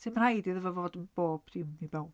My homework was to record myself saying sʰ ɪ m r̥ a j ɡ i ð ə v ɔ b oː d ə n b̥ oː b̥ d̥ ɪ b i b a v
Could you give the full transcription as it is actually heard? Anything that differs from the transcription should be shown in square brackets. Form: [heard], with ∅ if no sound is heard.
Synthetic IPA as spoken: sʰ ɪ m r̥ a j [d] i ð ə v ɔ [v] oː d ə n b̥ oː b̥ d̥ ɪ [m] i b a [w]